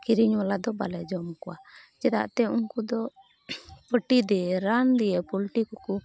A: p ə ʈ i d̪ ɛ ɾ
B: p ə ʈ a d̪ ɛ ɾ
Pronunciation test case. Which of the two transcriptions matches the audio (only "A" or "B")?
A